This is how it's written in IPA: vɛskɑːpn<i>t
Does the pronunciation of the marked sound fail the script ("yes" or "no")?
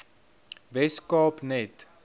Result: yes